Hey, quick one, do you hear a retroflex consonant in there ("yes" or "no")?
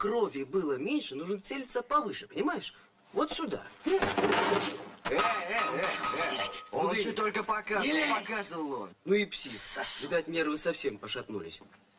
yes